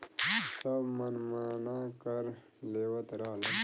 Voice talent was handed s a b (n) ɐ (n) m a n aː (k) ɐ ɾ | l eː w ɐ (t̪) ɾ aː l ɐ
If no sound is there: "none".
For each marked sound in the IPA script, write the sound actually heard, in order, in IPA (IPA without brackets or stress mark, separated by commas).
m, n, k, t̪